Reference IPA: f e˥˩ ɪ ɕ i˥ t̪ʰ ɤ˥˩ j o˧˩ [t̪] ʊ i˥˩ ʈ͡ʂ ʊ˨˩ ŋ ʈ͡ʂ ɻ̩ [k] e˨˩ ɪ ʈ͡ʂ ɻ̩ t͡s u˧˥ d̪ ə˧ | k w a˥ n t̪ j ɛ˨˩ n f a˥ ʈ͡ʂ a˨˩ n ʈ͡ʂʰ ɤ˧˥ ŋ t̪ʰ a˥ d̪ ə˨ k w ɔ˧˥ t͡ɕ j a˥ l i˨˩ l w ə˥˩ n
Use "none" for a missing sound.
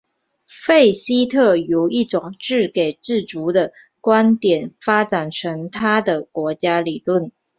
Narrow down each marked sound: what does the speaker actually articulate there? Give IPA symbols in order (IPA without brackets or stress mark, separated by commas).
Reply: none, k